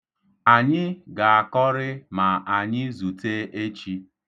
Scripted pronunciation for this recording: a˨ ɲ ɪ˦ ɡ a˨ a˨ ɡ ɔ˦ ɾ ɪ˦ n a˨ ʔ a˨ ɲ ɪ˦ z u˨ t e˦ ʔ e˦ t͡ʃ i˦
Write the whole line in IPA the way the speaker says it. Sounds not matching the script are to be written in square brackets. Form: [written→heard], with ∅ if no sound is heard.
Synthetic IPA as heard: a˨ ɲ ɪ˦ ɡ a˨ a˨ [ɡ→k] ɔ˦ ɾ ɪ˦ [n→m] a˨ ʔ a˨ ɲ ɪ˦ z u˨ t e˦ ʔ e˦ t͡ʃ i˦